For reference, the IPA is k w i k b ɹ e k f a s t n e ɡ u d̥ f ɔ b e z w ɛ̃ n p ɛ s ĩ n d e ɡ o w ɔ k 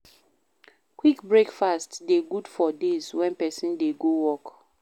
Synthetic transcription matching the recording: k w i k b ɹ e k f a s t d e ɡ u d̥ f ɔ d e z w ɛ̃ n p ɛ s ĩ n d e ɡ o w ɔ k